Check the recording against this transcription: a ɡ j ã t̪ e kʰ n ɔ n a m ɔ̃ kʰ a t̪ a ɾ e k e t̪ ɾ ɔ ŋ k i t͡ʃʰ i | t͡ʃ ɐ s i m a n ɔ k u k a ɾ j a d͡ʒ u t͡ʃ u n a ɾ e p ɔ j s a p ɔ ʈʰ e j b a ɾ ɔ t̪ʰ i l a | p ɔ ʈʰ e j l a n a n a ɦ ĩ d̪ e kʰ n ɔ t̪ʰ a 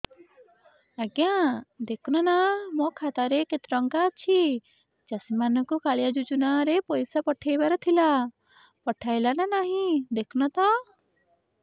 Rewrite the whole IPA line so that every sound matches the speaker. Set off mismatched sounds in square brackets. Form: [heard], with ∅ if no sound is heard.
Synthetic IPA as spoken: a ɡ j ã [d̪] e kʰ n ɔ n a m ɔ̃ kʰ a t̪ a ɾ e k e t̪ ɾ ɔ ŋ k [a] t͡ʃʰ i | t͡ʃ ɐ s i m a n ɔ k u k a [ɭ] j a d͡ʒ u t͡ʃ u n a ɾ e p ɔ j s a p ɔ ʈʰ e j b a ɾ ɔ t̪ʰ i l a | p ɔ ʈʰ [a] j l a n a n a ɦ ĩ d̪ e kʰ n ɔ [t̪] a